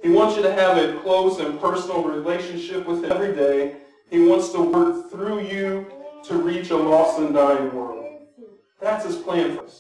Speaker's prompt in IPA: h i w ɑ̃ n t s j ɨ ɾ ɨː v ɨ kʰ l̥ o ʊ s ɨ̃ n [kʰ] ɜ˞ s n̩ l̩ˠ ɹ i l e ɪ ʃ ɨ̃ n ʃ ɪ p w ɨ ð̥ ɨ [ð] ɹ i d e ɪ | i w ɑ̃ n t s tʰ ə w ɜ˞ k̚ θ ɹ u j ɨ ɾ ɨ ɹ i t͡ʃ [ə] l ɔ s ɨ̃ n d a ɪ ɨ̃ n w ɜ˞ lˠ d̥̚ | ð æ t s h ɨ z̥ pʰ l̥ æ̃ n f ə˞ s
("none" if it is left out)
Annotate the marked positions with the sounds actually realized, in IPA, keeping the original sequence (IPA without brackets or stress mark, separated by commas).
pʰ, v, ə